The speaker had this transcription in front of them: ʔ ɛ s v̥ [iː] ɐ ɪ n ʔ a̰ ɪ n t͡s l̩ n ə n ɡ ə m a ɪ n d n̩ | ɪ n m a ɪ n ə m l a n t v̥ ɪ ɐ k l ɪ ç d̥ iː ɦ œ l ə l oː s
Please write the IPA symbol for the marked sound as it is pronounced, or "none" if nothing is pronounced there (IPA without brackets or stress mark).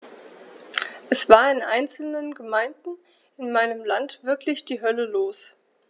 aː